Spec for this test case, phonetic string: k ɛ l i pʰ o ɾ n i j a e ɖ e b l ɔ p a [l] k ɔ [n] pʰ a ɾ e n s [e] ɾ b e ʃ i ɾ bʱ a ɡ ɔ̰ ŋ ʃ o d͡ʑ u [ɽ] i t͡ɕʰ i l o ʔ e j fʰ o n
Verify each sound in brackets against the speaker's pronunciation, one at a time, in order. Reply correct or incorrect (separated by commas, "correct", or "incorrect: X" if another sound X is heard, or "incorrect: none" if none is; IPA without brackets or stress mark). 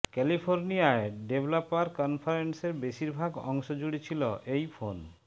incorrect: ɾ, correct, correct, correct